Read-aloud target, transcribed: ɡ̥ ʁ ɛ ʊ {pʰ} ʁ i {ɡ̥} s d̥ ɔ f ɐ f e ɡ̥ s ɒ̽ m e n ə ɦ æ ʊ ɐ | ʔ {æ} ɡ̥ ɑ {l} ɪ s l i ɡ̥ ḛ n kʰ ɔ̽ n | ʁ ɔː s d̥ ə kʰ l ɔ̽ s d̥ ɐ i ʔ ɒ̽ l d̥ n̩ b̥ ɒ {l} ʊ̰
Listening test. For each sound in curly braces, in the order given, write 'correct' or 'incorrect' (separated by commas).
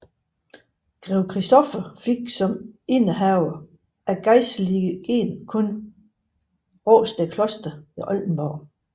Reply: incorrect, incorrect, correct, incorrect, incorrect